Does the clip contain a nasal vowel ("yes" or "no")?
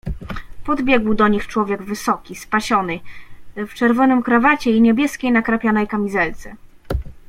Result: no